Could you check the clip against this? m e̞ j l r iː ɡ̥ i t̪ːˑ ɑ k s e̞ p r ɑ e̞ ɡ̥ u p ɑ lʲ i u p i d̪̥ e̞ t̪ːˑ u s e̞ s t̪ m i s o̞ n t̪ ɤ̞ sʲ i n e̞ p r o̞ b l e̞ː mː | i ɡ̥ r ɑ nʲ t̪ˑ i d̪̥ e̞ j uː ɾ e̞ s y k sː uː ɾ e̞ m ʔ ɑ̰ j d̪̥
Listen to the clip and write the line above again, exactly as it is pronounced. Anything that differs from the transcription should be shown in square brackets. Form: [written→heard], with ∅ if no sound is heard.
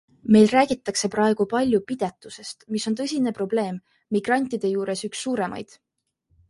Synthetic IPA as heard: m e̞ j l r [iː→æː] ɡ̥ i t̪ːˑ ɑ k s e̞ p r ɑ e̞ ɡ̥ u p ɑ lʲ [i→j] u p i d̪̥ e̞ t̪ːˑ u s e̞ s t̪ m i s o̞ n t̪ ɤ̞ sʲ i n e̞ p r o̞ b l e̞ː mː | i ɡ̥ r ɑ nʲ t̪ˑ i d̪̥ e̞ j uː ɾ e̞ s y k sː uː ɾ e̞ m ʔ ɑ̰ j d̪̥

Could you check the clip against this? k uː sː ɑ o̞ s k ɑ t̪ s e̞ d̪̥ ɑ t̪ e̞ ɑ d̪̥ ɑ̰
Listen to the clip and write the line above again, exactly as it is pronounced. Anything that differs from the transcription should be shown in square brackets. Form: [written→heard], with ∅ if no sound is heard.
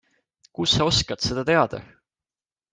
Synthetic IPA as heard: k [uː→u] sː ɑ o̞ s k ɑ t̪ s e̞ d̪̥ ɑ t̪ e̞ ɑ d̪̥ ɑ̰

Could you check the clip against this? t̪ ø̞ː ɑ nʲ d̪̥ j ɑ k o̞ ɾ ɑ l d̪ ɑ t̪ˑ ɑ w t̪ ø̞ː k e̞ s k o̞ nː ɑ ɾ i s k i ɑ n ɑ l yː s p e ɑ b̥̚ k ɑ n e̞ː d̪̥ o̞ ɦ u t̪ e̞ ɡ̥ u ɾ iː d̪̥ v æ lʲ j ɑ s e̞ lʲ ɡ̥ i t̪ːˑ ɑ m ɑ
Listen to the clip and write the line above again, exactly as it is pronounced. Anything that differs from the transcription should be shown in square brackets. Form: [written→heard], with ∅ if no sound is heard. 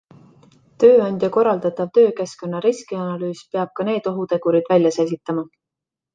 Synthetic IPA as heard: t̪ ø̞ː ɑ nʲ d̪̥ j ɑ k o̞ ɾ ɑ l d̪ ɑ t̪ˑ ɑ [w→v] t̪ ø̞ː k e̞ s k o̞ nː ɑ ɾ i s k i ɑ n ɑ l yː s p e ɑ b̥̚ k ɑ n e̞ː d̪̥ o̞ ɦ u t̪ e̞ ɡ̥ u ɾ [iː→i] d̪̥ v æ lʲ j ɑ s e̞ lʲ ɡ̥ i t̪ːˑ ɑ m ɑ

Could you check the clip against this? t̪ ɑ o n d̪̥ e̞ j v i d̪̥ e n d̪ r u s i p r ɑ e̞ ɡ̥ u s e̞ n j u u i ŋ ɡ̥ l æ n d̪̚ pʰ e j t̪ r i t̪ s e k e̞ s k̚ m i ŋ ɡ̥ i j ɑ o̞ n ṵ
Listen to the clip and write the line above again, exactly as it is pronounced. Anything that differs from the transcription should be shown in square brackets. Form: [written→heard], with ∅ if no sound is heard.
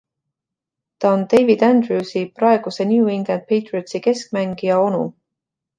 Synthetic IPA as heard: t̪ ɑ o n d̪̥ e̞ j v i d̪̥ [e→æ] n d̪ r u s i p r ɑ e̞ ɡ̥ u s e̞ n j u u i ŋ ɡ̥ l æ n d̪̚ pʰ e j t̪ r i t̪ s [e→i] k e̞ s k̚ m [i→æ] ŋ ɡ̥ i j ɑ o̞ n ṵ

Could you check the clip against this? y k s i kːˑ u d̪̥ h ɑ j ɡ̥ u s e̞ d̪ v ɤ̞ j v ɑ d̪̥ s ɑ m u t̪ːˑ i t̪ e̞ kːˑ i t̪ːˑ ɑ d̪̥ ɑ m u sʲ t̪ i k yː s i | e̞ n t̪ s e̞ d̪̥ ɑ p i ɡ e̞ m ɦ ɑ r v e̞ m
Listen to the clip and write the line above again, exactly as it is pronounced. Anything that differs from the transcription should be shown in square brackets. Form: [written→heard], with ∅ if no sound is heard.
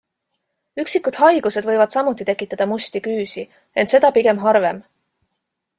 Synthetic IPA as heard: y k s i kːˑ u d̪̥ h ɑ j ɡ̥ u s e̞ d̪ v ɤ̞ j v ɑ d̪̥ s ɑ m u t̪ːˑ i t̪ e̞ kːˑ i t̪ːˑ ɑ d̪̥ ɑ m u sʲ t̪ i k yː s i | e̞ n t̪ s e̞ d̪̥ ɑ p i ɡ e̞ m ɦ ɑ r v e̞ m

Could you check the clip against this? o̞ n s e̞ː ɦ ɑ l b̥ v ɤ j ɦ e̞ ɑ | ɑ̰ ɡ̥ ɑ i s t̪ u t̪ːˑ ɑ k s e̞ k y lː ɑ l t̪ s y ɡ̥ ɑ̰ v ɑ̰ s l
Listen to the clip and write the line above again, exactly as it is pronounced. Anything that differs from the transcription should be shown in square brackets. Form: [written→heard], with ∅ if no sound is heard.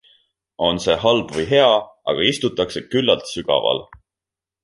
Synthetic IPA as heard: o̞ n s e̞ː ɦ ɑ l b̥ v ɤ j ɦ e̞ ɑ | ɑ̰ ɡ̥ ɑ i s t̪ u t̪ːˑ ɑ k s e̞ k y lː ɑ l t̪ s y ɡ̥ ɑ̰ v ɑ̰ [s→∅] l

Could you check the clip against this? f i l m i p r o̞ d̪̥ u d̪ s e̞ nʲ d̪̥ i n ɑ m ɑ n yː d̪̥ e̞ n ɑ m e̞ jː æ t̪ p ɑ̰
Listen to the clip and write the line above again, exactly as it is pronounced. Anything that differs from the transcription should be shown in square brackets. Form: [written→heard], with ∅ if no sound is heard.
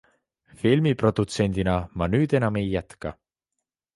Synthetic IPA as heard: f i l m i p r o̞ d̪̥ u [d̪→t̪] s e̞ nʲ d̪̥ i n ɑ m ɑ n yː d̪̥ e̞ n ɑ m e̞ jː æ t̪ [p→k] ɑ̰

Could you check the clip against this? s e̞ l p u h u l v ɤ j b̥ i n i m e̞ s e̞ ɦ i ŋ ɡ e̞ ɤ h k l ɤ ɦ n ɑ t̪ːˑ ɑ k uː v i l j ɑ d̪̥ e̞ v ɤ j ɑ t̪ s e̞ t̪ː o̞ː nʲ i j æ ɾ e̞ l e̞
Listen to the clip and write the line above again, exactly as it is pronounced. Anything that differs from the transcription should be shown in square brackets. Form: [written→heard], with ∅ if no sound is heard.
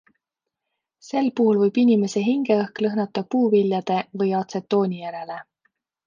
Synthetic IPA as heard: s e̞ l p u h u l v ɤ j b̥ i n i m e̞ s e̞ ɦ i ŋ ɡ e̞ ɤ h k l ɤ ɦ n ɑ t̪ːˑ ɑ [k→p] uː v i l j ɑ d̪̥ e̞ v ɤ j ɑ t̪ s e̞ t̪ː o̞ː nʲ i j æ ɾ e̞ l e̞

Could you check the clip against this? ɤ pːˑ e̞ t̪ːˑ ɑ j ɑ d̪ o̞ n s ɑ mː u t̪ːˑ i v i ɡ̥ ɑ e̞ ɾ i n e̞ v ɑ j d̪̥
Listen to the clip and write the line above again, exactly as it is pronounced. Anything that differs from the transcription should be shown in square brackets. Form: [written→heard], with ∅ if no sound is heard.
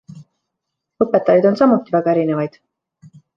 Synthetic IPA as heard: ɤ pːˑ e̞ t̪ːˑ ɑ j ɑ d̪ o̞ n s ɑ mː u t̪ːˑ i v [i→æ] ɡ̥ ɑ e̞ ɾ i n e̞ v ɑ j d̪̥

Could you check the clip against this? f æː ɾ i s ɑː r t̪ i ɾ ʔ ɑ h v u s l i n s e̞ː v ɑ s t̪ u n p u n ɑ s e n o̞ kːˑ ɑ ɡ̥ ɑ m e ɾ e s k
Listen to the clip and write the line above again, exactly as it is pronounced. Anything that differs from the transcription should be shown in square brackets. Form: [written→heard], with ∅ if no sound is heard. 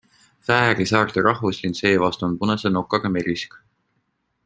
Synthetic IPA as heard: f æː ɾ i s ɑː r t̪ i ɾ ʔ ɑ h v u s l i n s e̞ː v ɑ s t̪ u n p u n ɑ s e n o̞ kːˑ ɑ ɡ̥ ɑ m e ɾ [e→i] s k

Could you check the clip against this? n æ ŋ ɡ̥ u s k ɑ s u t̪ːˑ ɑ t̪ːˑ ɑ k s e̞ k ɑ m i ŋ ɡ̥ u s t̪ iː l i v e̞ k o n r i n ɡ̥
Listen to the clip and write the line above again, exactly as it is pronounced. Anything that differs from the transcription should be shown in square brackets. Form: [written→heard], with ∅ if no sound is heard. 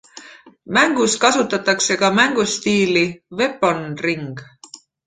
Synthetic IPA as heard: [n→m] æ ŋ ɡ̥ u s k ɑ s u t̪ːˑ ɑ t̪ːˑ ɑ k s e̞ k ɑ m [i→æ] ŋ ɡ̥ u s t̪ iː l i v e̞ [k→p] o n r i [n→ŋ] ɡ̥

